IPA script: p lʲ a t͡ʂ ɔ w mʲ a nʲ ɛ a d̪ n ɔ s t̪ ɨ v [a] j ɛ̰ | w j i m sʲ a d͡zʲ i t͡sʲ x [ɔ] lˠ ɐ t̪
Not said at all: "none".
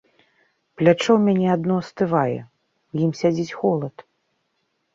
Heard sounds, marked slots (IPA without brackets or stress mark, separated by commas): a, ɔ